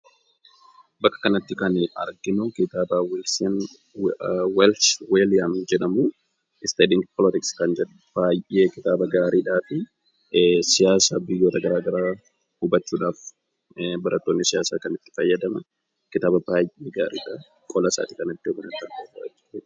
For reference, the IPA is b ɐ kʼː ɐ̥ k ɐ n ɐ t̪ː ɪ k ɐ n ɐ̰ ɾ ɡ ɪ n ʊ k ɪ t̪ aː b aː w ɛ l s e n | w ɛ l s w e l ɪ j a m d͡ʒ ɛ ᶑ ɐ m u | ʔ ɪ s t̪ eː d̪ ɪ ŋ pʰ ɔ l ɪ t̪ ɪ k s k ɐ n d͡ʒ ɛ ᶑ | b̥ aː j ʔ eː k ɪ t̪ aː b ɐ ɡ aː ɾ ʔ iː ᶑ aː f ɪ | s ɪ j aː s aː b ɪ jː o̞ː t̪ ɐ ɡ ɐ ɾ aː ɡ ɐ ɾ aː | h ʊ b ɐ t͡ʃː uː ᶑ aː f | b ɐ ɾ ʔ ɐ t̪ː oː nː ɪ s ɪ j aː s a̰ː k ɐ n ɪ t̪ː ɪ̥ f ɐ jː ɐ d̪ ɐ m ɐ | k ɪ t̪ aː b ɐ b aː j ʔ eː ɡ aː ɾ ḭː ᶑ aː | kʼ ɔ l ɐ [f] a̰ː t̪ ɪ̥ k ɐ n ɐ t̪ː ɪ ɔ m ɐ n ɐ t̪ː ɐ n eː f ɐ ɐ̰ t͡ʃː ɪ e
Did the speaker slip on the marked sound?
yes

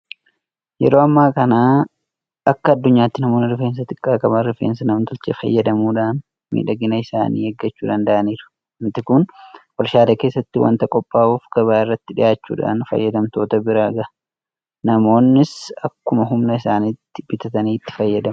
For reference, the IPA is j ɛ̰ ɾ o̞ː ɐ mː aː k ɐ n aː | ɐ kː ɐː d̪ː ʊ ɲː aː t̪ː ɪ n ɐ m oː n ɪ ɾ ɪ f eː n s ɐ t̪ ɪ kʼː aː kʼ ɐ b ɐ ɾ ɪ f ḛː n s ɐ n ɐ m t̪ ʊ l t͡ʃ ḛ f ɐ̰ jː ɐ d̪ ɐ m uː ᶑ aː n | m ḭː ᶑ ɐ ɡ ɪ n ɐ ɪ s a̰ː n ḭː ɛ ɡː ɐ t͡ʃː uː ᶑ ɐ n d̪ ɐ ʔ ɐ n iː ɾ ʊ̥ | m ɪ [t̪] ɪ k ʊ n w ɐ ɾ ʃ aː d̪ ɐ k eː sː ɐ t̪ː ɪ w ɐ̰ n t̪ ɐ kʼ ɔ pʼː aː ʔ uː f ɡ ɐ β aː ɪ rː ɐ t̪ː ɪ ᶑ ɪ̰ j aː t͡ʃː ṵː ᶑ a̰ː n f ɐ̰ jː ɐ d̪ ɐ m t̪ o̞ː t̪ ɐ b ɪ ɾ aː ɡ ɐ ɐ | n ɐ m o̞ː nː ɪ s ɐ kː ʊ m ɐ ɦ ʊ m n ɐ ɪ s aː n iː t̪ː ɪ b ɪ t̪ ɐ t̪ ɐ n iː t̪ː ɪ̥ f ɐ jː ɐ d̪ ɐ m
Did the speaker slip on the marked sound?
no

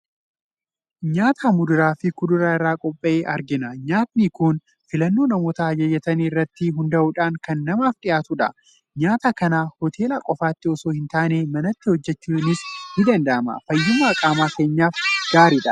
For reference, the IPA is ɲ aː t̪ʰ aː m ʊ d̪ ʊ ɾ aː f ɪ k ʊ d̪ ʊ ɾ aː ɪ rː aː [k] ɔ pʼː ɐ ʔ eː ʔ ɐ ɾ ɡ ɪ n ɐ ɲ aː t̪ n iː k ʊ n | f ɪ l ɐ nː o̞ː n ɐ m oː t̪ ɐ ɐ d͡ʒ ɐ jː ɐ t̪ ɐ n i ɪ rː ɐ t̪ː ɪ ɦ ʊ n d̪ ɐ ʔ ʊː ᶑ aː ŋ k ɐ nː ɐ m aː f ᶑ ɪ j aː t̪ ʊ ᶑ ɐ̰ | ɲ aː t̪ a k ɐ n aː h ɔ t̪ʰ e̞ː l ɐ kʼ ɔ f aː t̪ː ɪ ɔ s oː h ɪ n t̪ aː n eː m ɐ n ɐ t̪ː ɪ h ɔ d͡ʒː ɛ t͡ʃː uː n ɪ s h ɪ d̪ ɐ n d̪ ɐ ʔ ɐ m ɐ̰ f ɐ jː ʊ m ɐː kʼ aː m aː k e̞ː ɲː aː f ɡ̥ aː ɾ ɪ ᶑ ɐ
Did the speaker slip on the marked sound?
yes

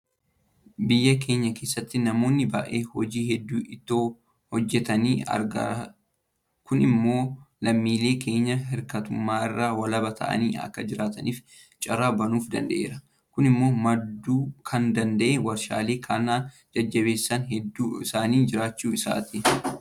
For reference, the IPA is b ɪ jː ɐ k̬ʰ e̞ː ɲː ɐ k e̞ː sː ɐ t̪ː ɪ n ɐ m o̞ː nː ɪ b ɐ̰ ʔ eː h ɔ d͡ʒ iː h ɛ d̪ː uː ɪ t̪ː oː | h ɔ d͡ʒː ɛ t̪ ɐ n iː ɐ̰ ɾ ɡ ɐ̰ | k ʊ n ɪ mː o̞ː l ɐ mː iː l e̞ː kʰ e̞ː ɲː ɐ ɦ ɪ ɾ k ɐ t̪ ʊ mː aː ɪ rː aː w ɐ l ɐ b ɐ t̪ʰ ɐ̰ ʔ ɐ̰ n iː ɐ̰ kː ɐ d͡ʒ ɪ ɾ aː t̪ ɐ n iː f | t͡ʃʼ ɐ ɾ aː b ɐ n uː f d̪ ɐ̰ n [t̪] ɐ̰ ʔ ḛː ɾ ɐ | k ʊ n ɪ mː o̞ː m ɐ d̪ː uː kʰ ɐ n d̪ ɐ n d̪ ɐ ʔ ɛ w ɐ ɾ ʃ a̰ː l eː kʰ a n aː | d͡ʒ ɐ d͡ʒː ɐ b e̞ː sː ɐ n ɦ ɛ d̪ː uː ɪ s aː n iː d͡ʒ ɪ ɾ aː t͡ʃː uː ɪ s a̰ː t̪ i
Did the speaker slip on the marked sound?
yes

